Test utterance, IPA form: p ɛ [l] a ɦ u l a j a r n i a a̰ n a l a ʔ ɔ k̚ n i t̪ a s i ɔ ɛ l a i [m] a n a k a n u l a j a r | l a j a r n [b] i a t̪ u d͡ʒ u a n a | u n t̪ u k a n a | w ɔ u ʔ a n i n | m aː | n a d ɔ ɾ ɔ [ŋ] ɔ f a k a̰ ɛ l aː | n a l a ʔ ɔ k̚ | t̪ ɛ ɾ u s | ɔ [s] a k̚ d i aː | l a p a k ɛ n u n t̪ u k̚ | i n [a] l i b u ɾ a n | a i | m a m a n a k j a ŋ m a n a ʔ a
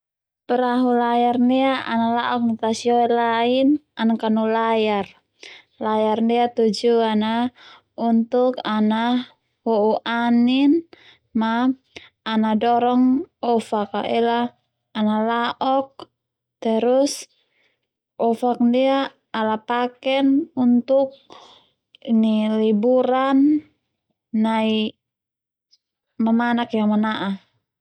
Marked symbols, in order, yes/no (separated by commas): no, no, no, yes, no, no